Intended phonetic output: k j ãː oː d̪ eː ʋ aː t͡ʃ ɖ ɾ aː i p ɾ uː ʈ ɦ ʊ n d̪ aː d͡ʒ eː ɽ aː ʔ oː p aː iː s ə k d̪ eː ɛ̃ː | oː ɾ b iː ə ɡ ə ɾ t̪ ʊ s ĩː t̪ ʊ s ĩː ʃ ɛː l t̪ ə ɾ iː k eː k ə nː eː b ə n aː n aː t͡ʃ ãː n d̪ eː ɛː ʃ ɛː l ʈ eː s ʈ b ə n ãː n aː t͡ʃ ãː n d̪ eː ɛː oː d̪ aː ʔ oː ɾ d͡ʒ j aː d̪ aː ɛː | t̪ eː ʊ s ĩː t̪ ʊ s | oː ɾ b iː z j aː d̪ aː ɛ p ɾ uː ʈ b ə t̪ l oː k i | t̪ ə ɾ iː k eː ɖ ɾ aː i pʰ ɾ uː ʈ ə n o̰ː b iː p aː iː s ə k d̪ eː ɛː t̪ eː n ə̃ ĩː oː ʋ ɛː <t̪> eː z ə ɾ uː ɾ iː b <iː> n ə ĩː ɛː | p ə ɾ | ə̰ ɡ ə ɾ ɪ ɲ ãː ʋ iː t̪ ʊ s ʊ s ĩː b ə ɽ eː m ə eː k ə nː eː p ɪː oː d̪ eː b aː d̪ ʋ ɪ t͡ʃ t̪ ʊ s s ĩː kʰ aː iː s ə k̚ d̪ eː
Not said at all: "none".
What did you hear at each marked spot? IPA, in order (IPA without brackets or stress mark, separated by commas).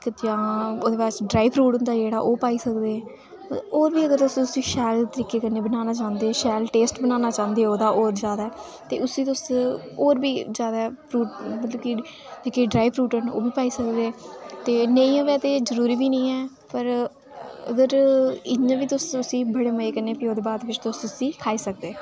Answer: t̪, iː